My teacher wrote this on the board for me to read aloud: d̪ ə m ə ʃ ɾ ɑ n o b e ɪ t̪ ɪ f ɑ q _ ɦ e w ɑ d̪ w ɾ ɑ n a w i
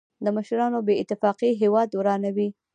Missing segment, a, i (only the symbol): i